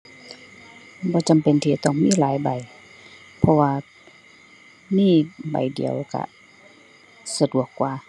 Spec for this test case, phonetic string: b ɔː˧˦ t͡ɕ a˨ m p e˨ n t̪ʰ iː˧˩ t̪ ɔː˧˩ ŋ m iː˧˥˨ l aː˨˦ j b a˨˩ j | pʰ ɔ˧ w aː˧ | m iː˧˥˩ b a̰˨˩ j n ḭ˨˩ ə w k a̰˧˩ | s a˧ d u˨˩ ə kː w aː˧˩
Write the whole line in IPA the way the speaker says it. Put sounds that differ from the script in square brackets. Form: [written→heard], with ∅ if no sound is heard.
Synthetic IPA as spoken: b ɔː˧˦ t͡ɕ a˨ m p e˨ n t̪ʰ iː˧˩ t̪ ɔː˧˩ ŋ m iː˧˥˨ l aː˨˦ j b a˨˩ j | pʰ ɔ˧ w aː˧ | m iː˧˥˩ b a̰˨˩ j [n→d] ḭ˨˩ ə w k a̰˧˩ | s a˧ d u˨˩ ə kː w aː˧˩